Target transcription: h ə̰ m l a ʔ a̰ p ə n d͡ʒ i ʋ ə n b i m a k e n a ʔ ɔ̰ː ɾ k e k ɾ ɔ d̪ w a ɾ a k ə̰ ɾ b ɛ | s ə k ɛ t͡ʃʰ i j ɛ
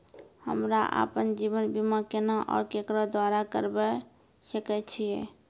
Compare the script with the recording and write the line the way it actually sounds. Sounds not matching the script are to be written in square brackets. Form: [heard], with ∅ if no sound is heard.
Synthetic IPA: h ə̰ m [ɾ] a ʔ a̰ p ə n d͡ʒ i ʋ ə n b i m a k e n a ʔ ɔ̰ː ɾ k e k ɾ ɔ d̪ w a ɾ a k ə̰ ɾ b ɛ | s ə k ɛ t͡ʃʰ i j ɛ